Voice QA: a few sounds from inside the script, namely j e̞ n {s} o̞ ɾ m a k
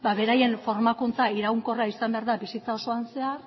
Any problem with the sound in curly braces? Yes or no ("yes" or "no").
yes